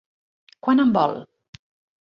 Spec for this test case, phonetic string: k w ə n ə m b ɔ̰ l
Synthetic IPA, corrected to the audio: k w a n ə m b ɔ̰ l

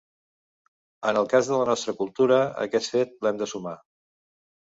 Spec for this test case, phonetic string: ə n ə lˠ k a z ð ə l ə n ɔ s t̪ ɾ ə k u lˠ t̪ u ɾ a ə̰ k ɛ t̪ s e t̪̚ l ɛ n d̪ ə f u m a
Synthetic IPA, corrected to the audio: ə n ə lˠ k a z ð ə l ə n ɔ s t̪ ɾ ə k u lˠ t̪ u ɾ ə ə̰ k ɛ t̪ f e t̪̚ l ɛ m d̪ ə s u m a

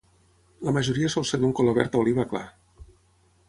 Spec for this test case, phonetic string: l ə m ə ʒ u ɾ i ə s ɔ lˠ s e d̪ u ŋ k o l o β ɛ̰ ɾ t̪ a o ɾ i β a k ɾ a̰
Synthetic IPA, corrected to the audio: l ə m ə ʒ u ɾ i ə s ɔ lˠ s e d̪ u ŋ k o l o β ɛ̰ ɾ t̪ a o l i β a k l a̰

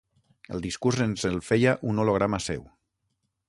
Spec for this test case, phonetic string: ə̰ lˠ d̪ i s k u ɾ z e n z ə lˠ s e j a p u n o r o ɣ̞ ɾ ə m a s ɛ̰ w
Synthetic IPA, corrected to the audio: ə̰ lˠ d̪ i s k u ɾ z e n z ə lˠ f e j a ʔ u n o l o ɣ̞ ɾ a m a s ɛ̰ w

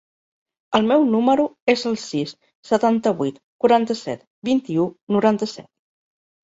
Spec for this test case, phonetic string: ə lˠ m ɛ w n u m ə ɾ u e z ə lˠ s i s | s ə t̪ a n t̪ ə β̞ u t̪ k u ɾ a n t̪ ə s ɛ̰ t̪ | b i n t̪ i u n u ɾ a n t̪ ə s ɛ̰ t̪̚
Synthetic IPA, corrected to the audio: ə lˠ m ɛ w n u m ə ɾ u e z ə lˠ s i s | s ə t̪ a n t̪ ə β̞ u t̪ k u ɾ a n t̪ ə s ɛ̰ t̪ | b i n t̪ i u n u ɾ a n t̪ ə s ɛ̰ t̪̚

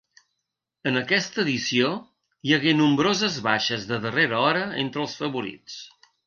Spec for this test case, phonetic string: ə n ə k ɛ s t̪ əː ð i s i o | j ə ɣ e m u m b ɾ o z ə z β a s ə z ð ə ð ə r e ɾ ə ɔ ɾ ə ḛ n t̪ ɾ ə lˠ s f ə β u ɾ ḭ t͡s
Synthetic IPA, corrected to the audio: ə n ə k ɛ s t̪ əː ð i s i o | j ə ɣ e n u m b ɾ o z ə z β a ʃ ə z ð ə ð ə r e ɾ ə ɔ ɾ ə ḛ n t̪ ɾ ə lˠ s f ə β u ɾ ḭ t͡s

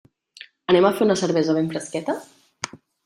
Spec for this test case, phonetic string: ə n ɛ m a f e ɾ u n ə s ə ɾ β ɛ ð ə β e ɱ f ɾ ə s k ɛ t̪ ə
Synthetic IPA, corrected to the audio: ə n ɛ m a f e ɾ u n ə s ə ɾ β ɛ z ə β e ɱ f ɾ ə s k ɛ t̪ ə

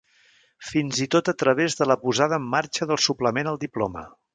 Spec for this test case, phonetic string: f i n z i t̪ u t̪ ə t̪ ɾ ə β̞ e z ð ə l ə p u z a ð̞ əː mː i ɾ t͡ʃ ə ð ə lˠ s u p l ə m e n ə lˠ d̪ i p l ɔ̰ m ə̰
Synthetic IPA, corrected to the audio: f i n z i t̪ o t̪ ə t̪ ɾ ə β̞ e z ð ə l ə p u z a ð̞ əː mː a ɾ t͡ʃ ə ð ə lˠ s u p l ə m e n ə lˠ d̪ i p l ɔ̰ m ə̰

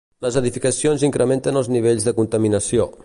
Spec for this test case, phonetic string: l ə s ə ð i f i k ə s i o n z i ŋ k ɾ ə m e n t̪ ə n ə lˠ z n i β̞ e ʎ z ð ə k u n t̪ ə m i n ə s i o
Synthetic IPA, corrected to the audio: l ə z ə ð i f i k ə s i o n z i ŋ k ɾ ə m e n t̪ ə n ə lˠ z n i β̞ e ʎ z ð ə k u n t̪ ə m i n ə s i o

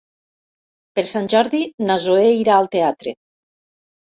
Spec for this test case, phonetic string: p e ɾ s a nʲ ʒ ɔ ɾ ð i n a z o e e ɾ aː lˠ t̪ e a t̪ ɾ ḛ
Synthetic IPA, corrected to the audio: p e ɾ s a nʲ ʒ ɔ ɾ ð i n a z o e i ɾ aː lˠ t̪ e a t̪ ɾ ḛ

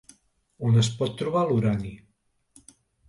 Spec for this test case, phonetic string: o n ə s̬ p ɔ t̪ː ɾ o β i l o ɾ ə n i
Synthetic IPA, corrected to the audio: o n ə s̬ p ɔ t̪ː ɾ u β a l u ɾ a n i

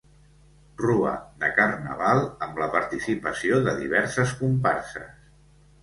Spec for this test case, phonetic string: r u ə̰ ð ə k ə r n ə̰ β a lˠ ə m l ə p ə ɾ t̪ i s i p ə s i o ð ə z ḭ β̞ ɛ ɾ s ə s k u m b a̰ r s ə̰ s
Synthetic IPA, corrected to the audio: r u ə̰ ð ə k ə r n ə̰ β a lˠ ə m l ə p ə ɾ t̪ i s i p ə s i o ð ə ð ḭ β̞ ɛ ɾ s ə s k u m p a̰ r s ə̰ s

